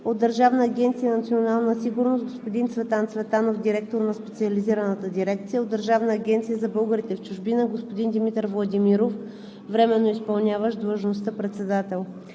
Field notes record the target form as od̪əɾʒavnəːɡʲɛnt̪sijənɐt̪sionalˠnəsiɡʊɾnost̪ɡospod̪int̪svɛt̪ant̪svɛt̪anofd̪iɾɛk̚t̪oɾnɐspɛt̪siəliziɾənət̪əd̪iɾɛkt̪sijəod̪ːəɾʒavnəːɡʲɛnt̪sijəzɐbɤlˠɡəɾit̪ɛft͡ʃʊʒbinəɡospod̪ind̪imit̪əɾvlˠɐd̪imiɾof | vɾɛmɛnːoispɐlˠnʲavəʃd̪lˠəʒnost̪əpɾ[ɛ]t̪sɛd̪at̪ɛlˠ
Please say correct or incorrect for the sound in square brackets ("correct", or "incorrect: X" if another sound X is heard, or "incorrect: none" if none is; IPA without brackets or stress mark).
correct